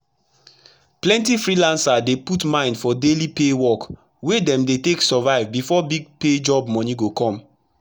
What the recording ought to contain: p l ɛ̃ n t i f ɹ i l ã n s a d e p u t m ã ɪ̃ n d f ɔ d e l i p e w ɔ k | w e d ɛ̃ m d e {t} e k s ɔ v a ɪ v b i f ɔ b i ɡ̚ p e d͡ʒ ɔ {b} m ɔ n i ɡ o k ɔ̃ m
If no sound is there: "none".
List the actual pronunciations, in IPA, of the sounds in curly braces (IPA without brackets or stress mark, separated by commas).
t, b